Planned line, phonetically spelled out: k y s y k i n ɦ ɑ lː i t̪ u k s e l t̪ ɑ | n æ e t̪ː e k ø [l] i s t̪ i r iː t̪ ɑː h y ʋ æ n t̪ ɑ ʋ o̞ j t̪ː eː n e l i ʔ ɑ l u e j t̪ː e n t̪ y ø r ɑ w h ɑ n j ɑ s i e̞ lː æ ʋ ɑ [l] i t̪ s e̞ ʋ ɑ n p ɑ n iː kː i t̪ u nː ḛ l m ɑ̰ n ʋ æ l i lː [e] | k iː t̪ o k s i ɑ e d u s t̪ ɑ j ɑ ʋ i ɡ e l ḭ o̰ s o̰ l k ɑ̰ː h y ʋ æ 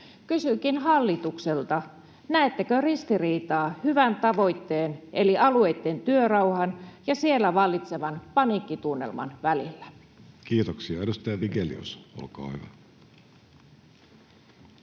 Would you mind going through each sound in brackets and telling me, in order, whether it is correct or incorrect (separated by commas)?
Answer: incorrect, incorrect, incorrect